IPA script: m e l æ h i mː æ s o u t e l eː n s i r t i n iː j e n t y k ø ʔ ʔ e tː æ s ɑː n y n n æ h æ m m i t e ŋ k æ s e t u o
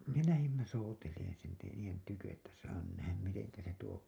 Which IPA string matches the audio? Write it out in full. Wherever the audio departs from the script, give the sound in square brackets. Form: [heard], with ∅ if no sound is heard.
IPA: m e l æ h i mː æ s o u t e l eː n s i [l] t i n iː j e n t y k ø ʔ ʔ e tː æ s ɑː n y n n æ h æ m m i t e ŋ k æ s e t u o